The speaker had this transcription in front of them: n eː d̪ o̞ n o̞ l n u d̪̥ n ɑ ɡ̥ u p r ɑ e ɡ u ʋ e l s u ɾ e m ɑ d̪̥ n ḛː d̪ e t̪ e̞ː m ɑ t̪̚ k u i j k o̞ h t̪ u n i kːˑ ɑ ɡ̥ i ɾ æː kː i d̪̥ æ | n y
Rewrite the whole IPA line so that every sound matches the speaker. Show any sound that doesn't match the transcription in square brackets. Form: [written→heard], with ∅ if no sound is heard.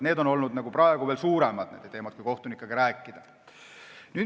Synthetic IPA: n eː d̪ o̞ n o̞ l n u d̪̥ n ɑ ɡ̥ u p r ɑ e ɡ u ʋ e l s [u→uː] ɾ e m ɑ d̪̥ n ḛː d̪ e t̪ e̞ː m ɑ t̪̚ k u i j k o̞ h t̪ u n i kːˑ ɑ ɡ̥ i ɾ æː kː i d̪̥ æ | n y